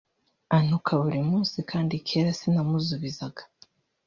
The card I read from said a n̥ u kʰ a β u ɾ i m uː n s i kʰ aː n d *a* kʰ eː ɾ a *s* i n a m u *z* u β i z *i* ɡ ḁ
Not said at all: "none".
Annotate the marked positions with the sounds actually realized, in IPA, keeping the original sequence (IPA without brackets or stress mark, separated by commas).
i, s, z, a